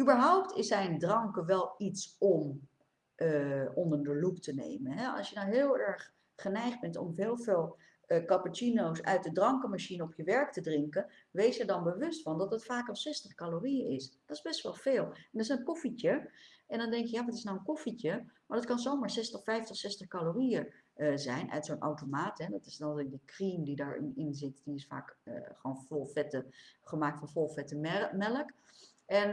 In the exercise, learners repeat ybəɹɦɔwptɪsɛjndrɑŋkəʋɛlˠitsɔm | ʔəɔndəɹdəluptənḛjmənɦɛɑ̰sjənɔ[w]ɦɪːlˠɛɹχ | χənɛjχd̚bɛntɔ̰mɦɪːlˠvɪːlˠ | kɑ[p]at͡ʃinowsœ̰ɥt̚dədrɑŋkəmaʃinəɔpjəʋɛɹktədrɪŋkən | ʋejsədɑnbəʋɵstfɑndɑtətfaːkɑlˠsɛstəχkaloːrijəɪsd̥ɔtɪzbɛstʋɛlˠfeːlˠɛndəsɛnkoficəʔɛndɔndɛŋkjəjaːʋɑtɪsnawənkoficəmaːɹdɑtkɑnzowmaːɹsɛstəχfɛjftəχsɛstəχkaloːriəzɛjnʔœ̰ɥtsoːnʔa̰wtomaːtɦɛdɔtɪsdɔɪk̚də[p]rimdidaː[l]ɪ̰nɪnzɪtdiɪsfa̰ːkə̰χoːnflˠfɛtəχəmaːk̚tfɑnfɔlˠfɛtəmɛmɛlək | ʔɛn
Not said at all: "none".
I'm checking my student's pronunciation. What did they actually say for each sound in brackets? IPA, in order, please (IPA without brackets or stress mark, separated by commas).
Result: w, p, k, ɹ